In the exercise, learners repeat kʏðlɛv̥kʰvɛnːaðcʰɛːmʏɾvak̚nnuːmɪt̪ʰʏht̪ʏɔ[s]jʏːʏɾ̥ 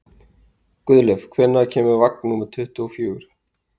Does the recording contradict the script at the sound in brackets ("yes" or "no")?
yes